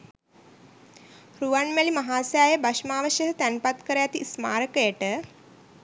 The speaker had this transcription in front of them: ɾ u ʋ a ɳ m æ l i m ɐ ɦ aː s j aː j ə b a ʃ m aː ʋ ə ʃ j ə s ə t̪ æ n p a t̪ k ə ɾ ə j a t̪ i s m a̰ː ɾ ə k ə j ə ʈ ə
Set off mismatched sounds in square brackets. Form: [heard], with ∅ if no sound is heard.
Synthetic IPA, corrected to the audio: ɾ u ʋ a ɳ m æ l i m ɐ ɦ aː s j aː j ə b a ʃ m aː ʋ ə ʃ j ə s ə t̪ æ n p a t̪ k ə ɾ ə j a t̪ i s m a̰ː ɾ ə k ə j ə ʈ ə